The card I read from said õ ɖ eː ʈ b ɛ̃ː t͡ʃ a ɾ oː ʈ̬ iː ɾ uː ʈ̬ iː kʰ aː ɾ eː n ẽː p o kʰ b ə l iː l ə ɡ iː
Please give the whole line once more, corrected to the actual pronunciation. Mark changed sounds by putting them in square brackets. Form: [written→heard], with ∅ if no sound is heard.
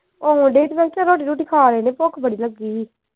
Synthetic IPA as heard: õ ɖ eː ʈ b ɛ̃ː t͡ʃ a ɾ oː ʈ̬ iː ɾ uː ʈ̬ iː kʰ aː ɾ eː n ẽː p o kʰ b ə [l→ɽ] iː l ə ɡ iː